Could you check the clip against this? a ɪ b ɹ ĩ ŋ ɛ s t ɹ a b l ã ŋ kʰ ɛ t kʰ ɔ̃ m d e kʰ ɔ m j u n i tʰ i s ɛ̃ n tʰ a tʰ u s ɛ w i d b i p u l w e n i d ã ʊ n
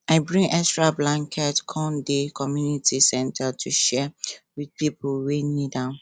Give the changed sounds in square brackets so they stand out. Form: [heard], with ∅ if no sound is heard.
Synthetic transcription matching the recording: a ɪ b ɹ ĩ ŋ ɛ s t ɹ a b l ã ŋ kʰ ɛ t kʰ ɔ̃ [n] d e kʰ ɔ m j u n i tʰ i s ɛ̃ n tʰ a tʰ u [ʃ] ɛ w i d [p] i p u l w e n i d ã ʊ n